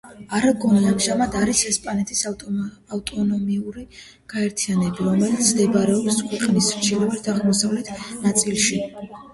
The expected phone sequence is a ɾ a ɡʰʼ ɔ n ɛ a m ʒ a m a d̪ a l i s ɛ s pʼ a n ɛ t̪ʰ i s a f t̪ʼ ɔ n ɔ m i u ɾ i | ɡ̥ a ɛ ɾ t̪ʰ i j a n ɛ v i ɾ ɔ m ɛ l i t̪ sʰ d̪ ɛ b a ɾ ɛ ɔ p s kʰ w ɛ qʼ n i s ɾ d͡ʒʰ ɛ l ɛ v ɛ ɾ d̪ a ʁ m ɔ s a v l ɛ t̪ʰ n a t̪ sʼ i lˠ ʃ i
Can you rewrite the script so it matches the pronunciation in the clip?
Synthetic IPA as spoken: a ɾ a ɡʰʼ ɔ n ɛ a m ʒ a m a d̪ a ɾ i s ɛ s pʼ a n ɛ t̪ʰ i s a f t̪ʼ ɔ n ɔ m i u ɾ i | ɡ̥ a ɛ ɾ t̪ʰ i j a n ɛ b i ɾ ɔ m ɛ l i t̪ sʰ d̪ ɛ b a ɾ ɛ ɔ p s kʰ w ɛ qʼ n i s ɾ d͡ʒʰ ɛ l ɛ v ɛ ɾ d̪ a ʁ m ɔ s a v l ɛ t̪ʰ n a t̪ sʼ i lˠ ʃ i